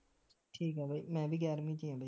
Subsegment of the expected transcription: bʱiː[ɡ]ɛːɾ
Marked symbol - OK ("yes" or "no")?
yes